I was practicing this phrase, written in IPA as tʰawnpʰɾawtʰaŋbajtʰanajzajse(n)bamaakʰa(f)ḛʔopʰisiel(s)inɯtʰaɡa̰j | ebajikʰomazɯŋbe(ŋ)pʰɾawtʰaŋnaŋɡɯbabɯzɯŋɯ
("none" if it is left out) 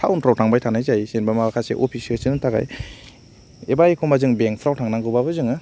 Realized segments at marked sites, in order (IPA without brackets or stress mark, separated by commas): n, s, s, ŋ